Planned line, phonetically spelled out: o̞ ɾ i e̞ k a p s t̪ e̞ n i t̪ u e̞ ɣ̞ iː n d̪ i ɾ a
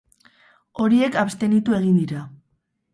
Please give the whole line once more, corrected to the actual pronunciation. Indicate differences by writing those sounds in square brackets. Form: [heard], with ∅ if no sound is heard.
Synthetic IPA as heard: o̞ ɾ i e̞ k a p s t̪ e̞ n i t̪ u e̞ ɣ̞ [i] n d̪ i ɾ a